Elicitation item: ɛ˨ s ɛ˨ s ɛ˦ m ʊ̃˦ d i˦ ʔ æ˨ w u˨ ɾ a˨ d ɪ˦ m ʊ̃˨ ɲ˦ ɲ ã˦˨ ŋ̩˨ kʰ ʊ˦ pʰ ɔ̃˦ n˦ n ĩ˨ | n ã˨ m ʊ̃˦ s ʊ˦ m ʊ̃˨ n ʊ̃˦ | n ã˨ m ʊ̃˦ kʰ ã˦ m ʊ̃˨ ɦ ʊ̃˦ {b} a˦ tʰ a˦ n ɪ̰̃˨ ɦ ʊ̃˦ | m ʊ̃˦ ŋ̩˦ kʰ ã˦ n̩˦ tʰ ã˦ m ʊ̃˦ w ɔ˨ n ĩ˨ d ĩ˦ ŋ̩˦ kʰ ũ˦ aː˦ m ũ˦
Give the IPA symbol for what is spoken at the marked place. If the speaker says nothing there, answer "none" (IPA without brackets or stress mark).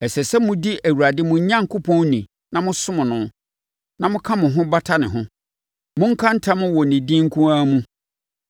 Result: b